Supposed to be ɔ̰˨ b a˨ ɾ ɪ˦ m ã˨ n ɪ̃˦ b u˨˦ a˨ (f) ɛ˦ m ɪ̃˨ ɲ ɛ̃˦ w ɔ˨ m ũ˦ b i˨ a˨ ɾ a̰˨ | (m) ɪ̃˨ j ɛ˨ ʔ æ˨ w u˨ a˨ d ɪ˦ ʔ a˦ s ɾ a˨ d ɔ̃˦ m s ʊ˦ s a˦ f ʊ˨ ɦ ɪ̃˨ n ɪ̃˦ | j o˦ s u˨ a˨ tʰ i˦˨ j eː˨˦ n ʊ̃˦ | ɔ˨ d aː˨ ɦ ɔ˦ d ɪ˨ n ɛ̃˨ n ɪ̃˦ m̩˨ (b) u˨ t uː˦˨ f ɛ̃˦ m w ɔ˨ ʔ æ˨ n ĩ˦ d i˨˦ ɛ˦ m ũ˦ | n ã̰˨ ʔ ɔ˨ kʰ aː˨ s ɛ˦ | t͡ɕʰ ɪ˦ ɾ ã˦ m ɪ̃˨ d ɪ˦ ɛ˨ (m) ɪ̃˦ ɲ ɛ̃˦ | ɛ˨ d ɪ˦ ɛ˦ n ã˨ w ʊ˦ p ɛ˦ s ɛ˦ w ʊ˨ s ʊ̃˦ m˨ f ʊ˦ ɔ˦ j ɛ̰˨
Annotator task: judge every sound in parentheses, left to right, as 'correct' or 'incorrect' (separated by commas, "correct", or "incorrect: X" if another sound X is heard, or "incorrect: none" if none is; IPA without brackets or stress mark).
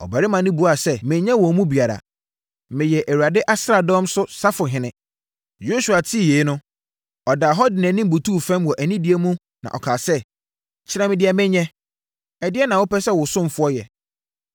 incorrect: s, correct, correct, correct